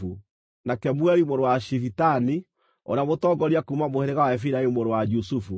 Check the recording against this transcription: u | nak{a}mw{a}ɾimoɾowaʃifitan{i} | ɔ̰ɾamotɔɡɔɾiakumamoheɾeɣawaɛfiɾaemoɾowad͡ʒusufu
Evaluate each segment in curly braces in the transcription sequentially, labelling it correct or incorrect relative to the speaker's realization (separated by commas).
incorrect, incorrect, correct